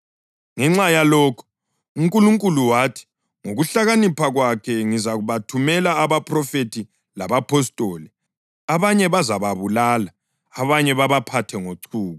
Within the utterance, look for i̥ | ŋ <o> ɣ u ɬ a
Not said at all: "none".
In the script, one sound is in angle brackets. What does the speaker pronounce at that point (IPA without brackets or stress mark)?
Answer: o